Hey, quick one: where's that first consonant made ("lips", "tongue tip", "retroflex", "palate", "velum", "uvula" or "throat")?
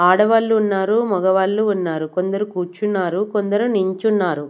retroflex